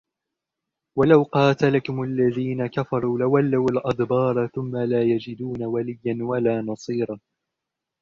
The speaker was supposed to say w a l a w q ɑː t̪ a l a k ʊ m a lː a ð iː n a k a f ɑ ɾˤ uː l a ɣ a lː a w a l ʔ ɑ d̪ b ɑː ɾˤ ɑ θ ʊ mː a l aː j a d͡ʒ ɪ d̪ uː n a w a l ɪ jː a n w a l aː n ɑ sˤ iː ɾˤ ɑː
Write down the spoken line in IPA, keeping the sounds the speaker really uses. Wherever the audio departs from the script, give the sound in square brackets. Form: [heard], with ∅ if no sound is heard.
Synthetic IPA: w a l a w q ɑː t̪ a l a k ʊ m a lː a ð iː n a k a f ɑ ɾˤ uː l a [w] a lː a w a l ʔ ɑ d̪ b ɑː ɾˤ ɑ θ ʊ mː a l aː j a d͡ʒ ɪ d̪ uː n a w a l ɪ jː a n w a l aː n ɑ sˤ iː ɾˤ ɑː